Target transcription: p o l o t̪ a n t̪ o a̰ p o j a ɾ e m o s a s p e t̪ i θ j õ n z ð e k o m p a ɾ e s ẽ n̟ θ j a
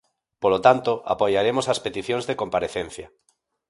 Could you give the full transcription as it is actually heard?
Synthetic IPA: p o l o t̪ a n t̪ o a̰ p o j a ɾ e m o s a s p e t̪ i θ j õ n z ð e k o m p a ɾ e θ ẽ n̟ θ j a